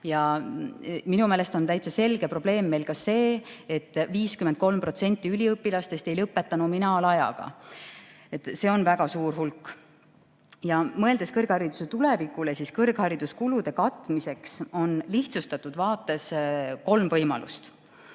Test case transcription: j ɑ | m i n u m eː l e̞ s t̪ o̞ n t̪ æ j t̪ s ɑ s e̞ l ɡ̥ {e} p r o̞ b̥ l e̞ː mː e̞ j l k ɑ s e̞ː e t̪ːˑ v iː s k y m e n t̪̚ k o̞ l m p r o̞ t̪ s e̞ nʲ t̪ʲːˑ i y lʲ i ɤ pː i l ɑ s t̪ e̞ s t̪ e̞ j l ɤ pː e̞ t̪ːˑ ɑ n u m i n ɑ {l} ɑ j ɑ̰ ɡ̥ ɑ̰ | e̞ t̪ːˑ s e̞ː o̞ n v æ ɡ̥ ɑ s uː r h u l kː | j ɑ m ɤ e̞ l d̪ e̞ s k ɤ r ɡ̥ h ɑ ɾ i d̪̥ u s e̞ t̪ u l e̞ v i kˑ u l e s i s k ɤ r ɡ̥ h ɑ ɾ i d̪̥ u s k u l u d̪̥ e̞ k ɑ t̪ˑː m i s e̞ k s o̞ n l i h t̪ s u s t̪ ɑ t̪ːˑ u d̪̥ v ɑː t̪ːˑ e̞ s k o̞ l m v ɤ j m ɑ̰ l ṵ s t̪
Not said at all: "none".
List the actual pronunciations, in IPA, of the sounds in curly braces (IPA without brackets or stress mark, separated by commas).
e, l